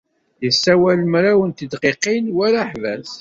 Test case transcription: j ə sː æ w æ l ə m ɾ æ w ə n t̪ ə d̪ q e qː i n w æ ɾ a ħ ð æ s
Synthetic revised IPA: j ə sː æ w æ l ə m ɾ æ w ə n t̪ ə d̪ q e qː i n w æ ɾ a ħ v æ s